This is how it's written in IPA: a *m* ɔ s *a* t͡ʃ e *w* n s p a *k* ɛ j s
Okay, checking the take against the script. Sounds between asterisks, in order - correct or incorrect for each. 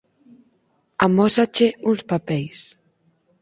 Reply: correct, correct, incorrect: u, incorrect: p

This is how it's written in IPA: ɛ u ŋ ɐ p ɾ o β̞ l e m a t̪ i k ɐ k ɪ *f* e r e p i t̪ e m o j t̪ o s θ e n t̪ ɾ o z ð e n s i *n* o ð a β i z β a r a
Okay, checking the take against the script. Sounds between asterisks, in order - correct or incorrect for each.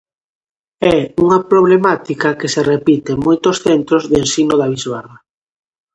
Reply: incorrect: s, correct

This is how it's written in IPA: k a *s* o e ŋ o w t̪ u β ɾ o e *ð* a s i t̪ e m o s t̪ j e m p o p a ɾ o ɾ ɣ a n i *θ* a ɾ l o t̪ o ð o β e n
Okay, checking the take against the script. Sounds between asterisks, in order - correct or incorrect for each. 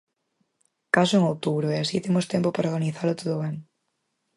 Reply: correct, incorrect: none, correct

